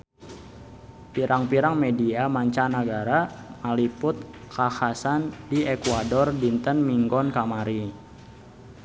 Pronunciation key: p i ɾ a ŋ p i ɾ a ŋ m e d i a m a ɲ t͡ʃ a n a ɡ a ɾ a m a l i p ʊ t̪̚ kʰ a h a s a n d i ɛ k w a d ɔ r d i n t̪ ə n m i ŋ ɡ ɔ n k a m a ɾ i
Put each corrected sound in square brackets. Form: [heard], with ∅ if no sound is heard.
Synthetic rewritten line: p i ɾ a ŋ p i ɾ a ŋ m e d i a m a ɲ t͡ʃ a n a ɡ a ɾ a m a l i p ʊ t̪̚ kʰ a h a s a n d i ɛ k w a d ɔ r d i n t̪ ə n m i ŋ ɡ ɔ n k a m a ɾ i